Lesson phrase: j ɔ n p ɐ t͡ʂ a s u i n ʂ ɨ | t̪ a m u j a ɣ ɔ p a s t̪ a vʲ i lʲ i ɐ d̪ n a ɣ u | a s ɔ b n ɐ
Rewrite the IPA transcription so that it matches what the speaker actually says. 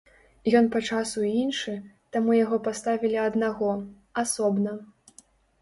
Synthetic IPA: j ɔ n p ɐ t͡ʂ a s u i n ʂ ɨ | t̪ a m u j a ɣ ɔ p a s t̪ a vʲ i lʲ i ɐ d̪ n a ɣ ɔ | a s ɔ b n ɐ